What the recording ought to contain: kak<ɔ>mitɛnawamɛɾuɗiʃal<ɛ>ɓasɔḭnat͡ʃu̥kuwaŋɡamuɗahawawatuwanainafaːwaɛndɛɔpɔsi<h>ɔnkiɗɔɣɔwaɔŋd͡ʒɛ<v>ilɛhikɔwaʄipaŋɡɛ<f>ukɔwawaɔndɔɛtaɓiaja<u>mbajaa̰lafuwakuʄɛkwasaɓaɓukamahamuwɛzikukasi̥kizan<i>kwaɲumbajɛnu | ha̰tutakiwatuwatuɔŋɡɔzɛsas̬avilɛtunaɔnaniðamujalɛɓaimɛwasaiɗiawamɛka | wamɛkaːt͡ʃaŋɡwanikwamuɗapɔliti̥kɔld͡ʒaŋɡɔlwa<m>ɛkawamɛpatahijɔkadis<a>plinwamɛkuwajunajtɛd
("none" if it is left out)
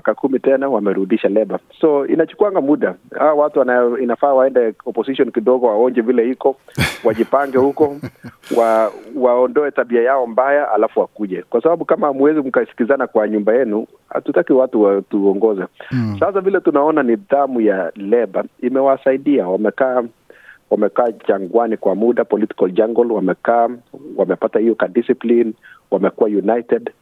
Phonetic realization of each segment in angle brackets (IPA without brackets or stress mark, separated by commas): u, ɛ, ʃ, v, h, ɔ, a, m, i